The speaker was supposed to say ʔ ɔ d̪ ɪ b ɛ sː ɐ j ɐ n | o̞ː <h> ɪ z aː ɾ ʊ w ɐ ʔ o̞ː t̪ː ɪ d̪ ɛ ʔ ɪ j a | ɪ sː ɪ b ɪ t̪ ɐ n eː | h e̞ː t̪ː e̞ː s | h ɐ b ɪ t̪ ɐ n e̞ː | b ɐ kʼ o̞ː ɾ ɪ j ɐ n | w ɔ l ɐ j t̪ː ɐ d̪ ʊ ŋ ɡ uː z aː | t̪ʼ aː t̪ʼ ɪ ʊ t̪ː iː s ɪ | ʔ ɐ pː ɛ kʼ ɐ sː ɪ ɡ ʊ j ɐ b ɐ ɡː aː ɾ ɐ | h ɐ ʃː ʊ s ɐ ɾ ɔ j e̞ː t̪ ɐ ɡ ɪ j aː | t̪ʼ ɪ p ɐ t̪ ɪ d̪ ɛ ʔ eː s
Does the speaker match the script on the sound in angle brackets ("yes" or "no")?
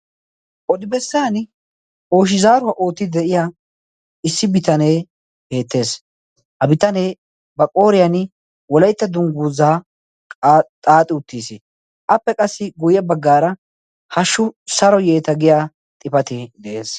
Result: no